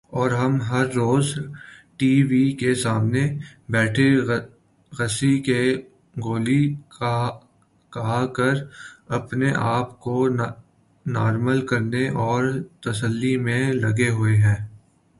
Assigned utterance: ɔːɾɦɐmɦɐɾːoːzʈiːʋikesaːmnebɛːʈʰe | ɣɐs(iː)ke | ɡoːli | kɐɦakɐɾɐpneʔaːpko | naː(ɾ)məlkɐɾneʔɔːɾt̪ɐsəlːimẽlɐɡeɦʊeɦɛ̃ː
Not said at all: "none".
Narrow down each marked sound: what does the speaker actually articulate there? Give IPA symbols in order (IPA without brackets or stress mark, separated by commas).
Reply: i, ɾ